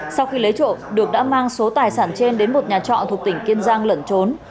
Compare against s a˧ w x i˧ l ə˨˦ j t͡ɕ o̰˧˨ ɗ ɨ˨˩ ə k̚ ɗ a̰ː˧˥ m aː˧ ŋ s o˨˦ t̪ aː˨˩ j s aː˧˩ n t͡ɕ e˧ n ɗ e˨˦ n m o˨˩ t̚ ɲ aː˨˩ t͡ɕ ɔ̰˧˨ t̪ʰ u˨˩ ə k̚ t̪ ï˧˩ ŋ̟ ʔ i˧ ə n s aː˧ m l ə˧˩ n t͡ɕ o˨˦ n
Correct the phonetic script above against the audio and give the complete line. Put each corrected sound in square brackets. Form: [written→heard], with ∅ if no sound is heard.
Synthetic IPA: s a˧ w x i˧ l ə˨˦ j t͡ɕ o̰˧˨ ɗ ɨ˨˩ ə k̚ ɗ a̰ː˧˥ m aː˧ ŋ s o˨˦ t̪ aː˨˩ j s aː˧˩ n t͡ɕ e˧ n ɗ e˨˦ n m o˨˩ t̚ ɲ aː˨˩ t͡ɕ ɔ̰˧˨ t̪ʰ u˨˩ ə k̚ t̪ ï˧˩ ŋ̟ [ʔ→k] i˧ ə n [s→z] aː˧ [m→ŋ] l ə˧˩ n t͡ɕ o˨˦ n